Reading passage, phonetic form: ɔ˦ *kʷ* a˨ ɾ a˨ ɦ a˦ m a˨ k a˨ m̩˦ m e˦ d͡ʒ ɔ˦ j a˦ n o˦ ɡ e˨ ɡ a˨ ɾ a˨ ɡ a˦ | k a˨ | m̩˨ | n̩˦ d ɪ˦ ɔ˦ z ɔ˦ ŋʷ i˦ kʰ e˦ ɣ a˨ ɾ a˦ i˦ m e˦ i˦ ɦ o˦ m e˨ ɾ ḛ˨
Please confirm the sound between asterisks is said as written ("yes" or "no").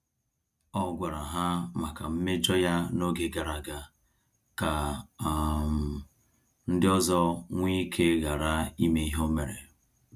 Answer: no